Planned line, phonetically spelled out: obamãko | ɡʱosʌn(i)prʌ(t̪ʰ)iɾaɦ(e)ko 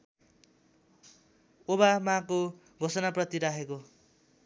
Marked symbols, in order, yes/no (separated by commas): no, no, yes